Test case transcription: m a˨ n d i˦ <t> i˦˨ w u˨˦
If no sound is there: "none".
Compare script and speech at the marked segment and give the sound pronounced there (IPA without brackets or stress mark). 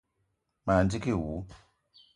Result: k